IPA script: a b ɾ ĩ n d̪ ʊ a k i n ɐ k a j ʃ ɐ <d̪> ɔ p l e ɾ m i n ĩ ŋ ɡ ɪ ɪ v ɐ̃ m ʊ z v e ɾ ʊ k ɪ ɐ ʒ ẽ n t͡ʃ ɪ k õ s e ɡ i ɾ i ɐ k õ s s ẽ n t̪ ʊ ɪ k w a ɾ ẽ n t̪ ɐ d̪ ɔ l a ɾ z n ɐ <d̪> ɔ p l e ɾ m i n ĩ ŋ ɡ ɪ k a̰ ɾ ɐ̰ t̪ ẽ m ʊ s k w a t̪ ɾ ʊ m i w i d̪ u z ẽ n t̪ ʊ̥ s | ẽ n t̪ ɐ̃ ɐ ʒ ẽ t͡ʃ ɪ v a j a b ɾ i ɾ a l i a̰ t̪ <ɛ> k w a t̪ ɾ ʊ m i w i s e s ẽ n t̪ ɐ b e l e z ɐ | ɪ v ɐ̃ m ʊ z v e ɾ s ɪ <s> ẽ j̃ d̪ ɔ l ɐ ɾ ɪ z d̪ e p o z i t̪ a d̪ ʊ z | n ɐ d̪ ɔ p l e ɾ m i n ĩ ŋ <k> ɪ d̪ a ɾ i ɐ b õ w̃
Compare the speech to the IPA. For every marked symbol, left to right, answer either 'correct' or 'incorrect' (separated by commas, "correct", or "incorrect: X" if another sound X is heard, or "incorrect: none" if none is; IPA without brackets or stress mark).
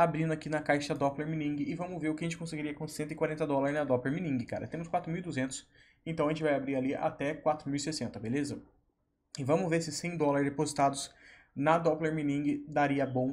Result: correct, correct, correct, correct, incorrect: ɡ